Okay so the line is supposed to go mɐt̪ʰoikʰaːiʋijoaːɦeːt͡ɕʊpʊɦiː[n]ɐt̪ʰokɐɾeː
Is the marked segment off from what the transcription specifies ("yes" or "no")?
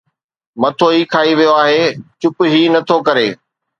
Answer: no